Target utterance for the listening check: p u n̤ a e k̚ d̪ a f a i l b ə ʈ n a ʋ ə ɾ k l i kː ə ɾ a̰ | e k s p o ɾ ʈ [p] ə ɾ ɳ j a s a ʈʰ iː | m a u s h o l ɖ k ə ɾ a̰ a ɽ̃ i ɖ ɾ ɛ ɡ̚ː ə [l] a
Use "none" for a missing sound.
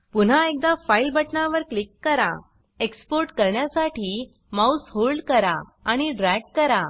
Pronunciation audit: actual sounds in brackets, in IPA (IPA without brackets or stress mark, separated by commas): k, ɾ